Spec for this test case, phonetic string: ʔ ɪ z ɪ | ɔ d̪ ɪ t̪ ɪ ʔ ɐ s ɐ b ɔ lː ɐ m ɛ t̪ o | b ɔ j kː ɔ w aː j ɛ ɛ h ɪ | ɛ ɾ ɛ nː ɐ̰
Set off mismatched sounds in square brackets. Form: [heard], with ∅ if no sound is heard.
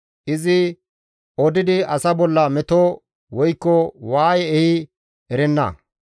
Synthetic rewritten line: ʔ ɪ z ɪ | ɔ d̪ ɪ [d̪] ɪ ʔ ɐ s ɐ b ɔ lː ɐ m ɛ t̪ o | [w] ɔ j kː ɔ w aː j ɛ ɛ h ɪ | ɛ ɾ ɛ nː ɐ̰